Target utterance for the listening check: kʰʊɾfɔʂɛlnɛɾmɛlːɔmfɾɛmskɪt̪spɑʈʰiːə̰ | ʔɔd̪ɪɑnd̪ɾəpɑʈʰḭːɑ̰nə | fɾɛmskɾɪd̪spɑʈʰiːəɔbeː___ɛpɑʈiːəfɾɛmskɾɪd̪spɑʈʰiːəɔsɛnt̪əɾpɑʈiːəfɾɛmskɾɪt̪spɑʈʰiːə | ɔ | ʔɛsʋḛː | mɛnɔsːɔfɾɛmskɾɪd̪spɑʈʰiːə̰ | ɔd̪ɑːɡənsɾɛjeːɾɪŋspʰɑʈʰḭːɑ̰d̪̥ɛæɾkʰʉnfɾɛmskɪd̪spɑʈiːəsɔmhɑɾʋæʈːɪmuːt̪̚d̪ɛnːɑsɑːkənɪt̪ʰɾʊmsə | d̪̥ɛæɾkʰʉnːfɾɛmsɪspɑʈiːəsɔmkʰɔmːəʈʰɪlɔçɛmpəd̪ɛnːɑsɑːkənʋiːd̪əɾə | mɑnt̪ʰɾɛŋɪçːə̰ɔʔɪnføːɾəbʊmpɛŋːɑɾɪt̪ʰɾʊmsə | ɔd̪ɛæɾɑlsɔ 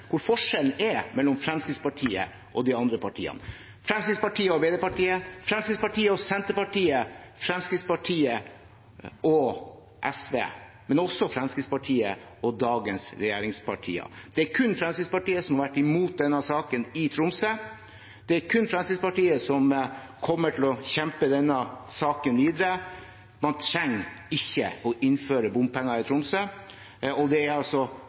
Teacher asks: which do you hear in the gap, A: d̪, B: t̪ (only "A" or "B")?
A